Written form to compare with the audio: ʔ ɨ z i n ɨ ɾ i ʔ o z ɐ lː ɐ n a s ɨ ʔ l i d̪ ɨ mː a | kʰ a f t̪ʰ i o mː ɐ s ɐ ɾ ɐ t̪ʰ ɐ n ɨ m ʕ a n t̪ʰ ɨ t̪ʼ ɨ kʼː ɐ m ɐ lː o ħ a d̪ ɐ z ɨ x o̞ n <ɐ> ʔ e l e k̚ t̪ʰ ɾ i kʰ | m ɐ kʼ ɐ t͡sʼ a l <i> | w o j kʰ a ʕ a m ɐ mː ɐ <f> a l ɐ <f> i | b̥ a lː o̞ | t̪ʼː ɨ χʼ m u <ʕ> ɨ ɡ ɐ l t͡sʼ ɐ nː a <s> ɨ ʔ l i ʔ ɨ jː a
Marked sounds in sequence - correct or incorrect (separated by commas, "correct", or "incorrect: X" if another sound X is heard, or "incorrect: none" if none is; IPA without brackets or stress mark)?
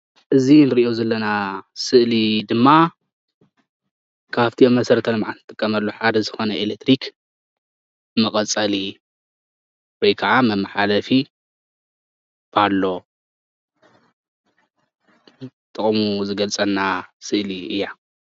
correct, correct, incorrect: ħ, correct, incorrect: z, correct